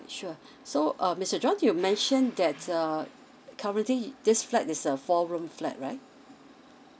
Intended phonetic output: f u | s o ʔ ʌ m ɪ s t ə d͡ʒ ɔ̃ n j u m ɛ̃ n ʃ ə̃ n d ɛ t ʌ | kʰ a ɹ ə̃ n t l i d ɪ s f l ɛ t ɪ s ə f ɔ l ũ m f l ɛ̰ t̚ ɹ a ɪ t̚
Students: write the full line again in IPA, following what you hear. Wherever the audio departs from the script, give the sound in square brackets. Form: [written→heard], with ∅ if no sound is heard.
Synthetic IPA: [f→ʃ] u | s o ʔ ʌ m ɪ s t ə d͡ʒ ɔ̃ n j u m ɛ̃ n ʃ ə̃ n d ɛ t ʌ | kʰ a ɹ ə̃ n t l i d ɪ s f l ɛ t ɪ s ə f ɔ [l→ɹ] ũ m f l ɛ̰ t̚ ɹ a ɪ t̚